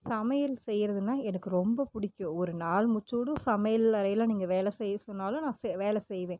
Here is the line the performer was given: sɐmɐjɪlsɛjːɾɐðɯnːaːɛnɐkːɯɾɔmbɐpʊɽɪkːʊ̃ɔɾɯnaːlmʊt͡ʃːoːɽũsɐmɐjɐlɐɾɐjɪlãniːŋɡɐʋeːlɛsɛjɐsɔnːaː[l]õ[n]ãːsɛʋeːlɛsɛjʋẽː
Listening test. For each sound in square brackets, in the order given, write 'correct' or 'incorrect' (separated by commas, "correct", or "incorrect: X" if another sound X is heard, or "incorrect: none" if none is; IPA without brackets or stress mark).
correct, correct